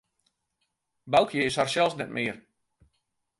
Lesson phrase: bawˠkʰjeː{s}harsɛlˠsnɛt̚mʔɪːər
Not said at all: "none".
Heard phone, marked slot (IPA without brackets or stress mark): s